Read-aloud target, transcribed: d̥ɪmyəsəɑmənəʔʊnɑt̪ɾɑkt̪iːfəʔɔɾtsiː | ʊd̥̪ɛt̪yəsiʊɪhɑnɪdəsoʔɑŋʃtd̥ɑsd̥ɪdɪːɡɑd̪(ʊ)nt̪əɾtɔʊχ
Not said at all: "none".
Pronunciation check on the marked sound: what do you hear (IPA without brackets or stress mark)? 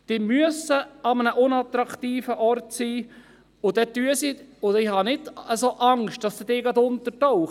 ʊ